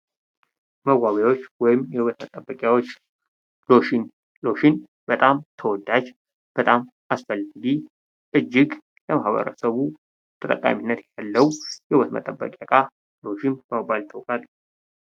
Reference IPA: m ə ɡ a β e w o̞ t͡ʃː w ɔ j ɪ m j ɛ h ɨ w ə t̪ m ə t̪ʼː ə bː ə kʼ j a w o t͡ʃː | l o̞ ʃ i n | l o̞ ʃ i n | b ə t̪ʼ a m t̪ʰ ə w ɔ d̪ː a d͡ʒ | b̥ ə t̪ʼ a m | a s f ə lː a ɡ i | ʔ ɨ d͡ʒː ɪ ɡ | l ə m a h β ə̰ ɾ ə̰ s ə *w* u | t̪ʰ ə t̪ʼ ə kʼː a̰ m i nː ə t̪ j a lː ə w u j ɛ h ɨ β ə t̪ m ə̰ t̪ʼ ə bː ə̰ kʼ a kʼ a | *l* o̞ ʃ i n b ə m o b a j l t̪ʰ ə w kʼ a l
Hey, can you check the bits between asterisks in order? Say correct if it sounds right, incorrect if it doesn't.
incorrect, correct

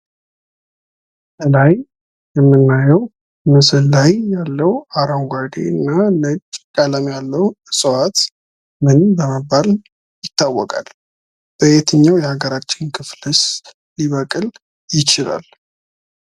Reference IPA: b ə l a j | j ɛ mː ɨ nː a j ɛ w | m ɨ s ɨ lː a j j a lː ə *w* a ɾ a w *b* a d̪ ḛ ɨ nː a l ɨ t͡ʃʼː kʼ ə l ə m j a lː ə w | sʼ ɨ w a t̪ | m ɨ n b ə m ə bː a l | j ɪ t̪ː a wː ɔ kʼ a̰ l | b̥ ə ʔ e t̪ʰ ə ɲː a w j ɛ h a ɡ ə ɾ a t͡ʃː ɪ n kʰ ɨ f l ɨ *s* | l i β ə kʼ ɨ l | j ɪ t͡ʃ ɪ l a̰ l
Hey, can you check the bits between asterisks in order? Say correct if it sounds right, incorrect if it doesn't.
correct, incorrect, correct

